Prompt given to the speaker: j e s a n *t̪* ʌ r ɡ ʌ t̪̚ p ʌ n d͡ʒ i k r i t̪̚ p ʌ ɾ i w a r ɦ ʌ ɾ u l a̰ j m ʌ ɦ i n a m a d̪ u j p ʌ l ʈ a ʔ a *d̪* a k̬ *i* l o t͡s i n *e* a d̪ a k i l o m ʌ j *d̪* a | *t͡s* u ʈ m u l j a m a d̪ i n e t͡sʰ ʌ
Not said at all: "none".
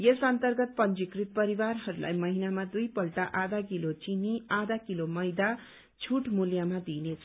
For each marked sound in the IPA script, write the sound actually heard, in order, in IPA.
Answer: t̪, d̪, i, i, d̪, t͡sʰ

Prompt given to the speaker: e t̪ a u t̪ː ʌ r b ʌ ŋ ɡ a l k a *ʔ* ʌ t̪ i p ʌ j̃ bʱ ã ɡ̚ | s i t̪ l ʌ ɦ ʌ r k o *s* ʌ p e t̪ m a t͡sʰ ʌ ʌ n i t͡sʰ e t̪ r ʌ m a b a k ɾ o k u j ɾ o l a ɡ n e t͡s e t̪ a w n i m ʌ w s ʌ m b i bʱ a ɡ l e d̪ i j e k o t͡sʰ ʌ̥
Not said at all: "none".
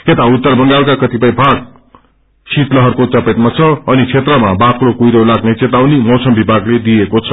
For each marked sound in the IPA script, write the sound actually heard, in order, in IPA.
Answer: k, t͡s

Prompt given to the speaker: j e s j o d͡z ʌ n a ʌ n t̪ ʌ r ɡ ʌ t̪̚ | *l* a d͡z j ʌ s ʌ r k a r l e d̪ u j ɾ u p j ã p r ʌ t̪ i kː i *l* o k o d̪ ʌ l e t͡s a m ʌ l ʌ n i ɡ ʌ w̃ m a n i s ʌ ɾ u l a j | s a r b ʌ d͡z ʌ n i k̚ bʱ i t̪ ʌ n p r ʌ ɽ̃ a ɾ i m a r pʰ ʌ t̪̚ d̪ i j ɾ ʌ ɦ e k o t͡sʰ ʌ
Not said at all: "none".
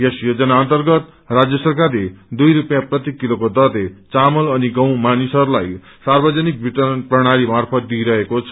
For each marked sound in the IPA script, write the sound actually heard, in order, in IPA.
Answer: r, l

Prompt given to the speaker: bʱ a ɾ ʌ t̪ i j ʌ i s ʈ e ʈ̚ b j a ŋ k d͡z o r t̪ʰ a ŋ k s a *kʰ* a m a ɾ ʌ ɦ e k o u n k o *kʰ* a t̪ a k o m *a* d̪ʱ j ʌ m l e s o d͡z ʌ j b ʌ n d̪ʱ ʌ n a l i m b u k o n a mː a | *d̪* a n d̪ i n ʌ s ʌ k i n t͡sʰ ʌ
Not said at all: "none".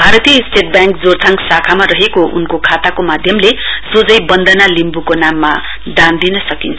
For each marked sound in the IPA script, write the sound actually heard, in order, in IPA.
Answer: kʰ, kʰ, a, d̪

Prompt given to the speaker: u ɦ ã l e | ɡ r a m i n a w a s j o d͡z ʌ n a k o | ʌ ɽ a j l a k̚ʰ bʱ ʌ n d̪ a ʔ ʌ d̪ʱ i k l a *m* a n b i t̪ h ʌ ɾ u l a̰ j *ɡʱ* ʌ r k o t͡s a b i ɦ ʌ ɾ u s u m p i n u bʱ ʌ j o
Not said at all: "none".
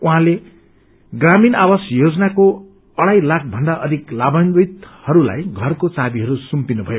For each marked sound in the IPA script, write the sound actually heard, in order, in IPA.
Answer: b, ɡʱ

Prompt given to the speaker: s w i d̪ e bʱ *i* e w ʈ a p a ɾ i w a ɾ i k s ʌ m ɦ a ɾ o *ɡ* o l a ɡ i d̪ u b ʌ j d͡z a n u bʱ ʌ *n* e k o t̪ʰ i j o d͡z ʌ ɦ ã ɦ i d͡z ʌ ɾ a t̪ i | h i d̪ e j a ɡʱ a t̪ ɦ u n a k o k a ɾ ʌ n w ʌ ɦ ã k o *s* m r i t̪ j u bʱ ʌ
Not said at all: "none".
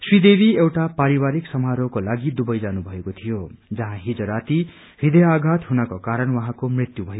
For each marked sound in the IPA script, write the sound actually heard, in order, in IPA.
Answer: i, k, none, none

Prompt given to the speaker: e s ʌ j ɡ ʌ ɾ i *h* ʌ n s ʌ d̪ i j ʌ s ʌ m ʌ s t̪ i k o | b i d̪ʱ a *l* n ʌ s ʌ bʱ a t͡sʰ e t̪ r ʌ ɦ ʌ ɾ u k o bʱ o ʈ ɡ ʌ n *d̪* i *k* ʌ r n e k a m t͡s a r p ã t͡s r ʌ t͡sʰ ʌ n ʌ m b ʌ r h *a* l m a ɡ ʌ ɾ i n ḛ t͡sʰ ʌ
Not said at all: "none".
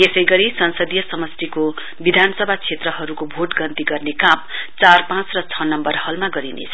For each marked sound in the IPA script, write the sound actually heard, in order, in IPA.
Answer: s, none, t̪, ɡ, ʌ

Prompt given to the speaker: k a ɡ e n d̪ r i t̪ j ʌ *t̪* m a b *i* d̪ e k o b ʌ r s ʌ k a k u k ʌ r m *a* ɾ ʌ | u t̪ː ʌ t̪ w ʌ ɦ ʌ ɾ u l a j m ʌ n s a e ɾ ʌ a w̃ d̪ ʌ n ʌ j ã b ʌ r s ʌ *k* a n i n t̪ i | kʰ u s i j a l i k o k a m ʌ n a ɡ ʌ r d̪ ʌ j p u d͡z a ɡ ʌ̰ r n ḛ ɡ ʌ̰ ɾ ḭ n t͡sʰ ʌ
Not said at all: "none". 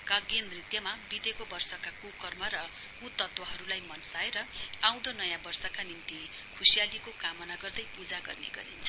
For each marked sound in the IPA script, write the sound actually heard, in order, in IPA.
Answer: none, i, ʌ, k

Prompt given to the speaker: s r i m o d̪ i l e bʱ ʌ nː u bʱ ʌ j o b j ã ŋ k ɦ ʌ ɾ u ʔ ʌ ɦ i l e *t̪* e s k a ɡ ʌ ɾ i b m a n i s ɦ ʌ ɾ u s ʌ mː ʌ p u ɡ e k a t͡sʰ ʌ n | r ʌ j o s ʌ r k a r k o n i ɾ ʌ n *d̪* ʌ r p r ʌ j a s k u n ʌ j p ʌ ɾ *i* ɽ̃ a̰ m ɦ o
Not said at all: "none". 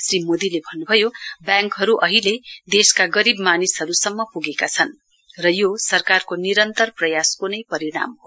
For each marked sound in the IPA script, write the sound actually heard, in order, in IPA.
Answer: d̪, t̪, i

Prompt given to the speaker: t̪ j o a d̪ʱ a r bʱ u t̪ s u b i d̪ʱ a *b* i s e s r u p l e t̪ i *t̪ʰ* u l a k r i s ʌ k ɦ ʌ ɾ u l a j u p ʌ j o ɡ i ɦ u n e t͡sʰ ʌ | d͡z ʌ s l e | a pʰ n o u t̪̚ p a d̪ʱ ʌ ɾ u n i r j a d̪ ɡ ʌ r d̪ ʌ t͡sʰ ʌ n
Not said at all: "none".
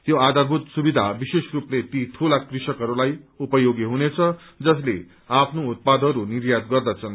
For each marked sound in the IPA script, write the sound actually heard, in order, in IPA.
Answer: b, t̪ʰ

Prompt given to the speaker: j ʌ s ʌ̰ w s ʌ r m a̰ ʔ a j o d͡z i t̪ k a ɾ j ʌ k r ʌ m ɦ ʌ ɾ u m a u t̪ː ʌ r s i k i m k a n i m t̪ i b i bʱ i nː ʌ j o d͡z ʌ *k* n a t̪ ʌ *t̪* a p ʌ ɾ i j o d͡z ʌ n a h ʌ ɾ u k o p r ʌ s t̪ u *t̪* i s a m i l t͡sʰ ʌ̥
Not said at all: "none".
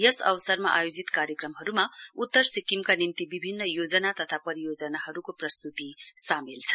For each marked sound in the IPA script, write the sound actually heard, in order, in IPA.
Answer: none, t̪ʰ, t̪

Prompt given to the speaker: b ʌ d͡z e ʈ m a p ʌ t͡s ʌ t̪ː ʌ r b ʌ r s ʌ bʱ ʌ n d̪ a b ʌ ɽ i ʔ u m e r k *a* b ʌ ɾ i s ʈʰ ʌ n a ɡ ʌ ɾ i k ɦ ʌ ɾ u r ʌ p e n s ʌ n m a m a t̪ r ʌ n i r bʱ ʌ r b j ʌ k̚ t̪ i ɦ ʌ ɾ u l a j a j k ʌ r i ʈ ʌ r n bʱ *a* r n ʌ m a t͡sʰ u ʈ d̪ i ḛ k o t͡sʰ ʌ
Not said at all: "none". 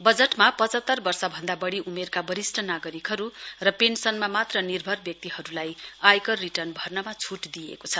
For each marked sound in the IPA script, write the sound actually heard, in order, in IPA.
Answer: a, ʌ

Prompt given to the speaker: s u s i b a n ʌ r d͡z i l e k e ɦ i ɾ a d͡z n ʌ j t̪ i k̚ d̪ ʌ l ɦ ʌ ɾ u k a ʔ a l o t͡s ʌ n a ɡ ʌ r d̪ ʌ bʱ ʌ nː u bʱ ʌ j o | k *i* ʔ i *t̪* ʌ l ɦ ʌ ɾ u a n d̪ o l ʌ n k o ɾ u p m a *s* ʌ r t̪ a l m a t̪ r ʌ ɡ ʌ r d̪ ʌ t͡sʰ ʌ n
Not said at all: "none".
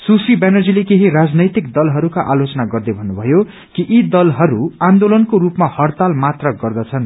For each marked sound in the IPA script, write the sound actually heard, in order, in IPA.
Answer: i, d̪, h

